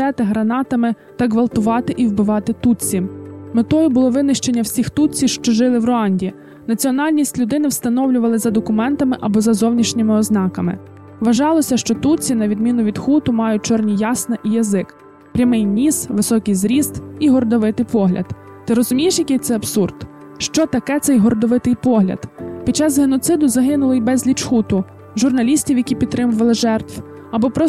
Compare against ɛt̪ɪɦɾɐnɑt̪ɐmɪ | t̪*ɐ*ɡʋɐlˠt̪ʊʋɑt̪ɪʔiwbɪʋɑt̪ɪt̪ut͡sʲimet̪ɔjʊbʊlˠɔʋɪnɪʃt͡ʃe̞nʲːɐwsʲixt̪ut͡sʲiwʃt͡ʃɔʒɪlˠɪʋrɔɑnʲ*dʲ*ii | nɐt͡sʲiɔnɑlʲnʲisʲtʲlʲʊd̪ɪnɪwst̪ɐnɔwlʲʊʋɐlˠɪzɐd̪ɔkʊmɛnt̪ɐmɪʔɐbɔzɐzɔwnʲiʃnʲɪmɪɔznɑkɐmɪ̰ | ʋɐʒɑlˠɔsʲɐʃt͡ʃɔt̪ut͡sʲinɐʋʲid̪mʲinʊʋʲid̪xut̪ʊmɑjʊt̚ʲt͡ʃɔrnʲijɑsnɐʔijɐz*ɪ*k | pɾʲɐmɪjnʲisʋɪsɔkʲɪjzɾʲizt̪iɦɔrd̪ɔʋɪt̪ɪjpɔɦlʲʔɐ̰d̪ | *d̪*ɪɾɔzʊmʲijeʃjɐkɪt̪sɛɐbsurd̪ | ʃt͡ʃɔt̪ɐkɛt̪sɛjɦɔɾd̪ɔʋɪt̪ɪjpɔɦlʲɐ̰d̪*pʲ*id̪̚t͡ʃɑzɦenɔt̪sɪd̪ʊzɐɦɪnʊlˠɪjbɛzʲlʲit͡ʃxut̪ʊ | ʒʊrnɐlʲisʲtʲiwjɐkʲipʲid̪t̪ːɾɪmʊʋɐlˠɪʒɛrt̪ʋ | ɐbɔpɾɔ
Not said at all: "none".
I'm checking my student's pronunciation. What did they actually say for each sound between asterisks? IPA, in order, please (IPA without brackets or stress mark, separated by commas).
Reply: ɐ, dʲ, ɪ, t̪, pʲ